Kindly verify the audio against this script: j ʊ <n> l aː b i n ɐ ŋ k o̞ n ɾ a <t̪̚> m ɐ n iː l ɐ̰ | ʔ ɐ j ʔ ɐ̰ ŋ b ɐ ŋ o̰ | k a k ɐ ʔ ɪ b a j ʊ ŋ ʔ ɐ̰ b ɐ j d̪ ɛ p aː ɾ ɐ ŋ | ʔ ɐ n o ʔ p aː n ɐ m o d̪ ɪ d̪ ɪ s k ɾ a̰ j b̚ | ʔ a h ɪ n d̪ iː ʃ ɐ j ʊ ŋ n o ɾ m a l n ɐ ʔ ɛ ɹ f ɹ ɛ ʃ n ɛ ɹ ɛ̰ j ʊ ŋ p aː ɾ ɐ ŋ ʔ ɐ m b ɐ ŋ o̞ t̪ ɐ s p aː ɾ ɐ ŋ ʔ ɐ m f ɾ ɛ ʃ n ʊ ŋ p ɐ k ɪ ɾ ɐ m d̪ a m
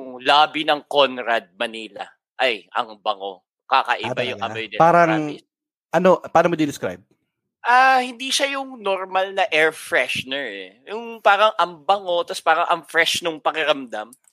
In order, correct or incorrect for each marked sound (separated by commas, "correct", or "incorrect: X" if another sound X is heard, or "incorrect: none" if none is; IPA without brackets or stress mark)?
incorrect: ŋ, incorrect: d̪̚